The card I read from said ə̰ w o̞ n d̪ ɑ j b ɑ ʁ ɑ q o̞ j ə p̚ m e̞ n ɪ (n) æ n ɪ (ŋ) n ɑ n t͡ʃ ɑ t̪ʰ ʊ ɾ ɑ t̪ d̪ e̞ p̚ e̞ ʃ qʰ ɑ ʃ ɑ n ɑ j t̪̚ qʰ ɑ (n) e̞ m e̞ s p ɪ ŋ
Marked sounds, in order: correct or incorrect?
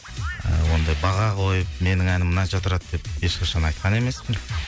incorrect: ŋ, incorrect: m, correct

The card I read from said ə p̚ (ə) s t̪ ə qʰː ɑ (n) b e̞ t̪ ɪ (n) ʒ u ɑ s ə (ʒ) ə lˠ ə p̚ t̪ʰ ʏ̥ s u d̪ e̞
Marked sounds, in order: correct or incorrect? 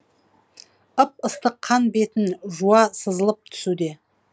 correct, correct, correct, incorrect: z

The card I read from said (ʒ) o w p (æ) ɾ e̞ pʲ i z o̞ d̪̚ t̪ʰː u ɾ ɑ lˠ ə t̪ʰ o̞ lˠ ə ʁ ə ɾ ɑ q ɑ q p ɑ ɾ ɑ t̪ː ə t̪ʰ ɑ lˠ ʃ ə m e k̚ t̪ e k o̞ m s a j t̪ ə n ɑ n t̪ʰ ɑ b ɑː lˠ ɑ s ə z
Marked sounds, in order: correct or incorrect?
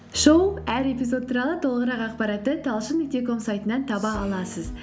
incorrect: ʃ, correct

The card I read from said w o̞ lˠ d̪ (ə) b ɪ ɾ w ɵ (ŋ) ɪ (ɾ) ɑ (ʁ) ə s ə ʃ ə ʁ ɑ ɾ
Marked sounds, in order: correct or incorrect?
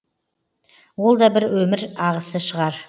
incorrect: ɑ, incorrect: m, correct, correct

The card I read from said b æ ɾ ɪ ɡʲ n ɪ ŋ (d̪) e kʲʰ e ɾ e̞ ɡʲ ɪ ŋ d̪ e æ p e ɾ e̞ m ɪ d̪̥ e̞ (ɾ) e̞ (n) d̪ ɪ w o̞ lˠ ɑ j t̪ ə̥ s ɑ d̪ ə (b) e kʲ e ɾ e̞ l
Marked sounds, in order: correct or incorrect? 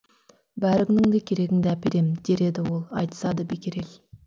correct, correct, incorrect: none, correct

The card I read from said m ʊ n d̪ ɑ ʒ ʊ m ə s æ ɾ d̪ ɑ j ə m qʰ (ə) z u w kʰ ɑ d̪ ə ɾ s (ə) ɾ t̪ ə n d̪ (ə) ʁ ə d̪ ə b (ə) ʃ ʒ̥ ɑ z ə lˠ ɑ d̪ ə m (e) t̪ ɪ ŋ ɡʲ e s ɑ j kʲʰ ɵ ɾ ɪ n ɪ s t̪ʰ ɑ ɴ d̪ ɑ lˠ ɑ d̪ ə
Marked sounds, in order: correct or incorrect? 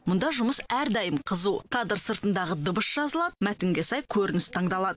correct, correct, incorrect: ɑ, correct, incorrect: æ

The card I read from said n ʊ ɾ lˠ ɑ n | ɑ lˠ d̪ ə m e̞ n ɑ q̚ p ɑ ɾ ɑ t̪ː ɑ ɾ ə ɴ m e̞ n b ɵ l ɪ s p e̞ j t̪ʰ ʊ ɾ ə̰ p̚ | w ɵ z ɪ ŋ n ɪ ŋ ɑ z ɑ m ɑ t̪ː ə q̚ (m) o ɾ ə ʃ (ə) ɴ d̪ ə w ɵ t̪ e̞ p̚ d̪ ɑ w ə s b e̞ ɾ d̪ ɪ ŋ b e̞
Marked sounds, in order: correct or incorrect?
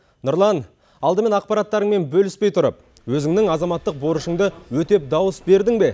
incorrect: b, correct

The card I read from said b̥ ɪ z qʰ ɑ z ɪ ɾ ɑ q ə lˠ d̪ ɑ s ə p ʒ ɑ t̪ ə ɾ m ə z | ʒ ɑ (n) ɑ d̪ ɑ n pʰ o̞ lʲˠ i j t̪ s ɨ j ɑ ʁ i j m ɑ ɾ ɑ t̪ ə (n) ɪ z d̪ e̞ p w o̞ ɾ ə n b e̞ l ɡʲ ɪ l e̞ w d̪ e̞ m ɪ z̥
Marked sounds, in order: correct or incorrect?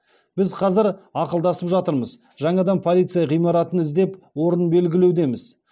incorrect: ɴ, correct

